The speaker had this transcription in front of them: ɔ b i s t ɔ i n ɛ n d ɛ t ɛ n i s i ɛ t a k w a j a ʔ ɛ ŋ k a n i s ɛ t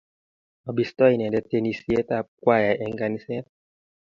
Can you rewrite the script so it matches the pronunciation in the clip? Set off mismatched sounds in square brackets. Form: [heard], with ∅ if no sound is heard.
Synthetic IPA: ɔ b i s t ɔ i n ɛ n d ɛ t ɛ n i s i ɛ t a k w a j a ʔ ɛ ŋ [ɡ] a n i s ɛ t